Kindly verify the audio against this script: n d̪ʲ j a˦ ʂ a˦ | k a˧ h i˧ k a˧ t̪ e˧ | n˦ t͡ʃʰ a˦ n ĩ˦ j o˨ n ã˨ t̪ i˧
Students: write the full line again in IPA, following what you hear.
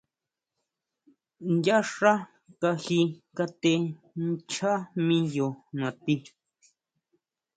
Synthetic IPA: n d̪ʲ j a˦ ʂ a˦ | k a˧ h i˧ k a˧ t̪ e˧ | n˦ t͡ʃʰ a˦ m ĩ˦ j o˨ n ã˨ t̪ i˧